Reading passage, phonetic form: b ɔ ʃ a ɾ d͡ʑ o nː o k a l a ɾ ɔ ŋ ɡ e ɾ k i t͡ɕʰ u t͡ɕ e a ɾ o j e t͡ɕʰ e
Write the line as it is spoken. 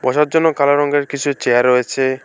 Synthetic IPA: b ɔ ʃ a ɾ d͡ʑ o nː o k a l a ɾ ɔ ŋ ɡ e ɾ k i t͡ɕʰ u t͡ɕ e a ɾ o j e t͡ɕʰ e